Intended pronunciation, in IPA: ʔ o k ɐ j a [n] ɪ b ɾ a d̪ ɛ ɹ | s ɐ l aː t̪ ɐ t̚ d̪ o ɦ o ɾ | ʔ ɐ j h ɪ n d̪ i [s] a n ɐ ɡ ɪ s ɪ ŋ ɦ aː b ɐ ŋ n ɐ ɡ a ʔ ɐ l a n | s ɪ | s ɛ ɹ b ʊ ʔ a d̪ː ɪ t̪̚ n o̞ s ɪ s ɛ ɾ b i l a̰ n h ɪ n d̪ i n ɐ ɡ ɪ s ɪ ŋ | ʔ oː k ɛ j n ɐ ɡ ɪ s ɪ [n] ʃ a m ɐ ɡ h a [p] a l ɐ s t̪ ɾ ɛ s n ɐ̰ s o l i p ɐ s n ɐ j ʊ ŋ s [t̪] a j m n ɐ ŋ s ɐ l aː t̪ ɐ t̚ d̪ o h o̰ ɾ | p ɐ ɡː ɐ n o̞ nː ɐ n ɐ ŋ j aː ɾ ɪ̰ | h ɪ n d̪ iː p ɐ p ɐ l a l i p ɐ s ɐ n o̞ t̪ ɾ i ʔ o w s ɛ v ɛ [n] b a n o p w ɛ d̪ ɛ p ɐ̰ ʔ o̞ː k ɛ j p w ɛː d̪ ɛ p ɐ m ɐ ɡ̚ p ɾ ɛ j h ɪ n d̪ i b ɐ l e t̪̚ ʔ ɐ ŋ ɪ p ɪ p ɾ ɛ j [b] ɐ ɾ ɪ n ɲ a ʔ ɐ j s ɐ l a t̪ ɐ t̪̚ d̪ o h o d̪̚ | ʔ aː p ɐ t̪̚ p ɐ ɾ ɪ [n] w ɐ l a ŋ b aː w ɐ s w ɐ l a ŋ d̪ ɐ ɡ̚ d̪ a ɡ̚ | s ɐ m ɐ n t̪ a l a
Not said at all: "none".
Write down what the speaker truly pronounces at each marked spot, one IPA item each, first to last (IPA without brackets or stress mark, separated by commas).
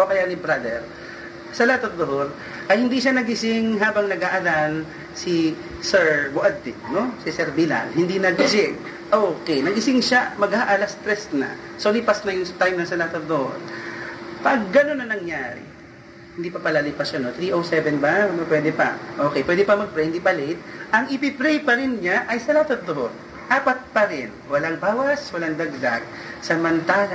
n, ʃ, ŋ, ʔ, t̪, n, p, n